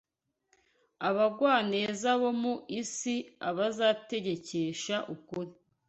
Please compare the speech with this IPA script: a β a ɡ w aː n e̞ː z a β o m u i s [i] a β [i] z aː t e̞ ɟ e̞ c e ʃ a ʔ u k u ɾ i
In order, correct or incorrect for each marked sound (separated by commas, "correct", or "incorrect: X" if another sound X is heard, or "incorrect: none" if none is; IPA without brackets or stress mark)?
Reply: correct, incorrect: a